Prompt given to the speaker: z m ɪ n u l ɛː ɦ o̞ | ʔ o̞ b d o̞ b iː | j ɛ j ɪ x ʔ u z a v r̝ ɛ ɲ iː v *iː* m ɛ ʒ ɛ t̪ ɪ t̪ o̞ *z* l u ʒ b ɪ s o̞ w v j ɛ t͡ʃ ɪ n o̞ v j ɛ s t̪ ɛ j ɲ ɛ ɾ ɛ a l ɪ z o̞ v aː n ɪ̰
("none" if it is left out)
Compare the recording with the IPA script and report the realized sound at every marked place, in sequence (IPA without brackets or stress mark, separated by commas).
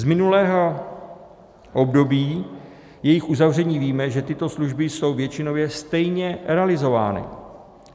iː, s